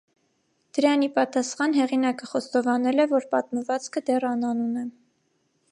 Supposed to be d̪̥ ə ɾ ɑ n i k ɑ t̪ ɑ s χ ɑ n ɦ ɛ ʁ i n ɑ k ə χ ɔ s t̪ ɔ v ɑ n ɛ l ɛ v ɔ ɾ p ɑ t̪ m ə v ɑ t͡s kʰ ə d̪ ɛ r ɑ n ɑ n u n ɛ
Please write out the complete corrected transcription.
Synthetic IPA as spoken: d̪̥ ə ɾ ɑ n i p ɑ t̪ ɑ s χ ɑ n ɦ ɛ ʁ i n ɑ k ə χ ɔ s t̪ ɔ v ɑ n ɛ l ɛ v ɔ ɾ p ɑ t̪ m ə v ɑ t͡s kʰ ə d̪ ɛ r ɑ n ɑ n u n ɛ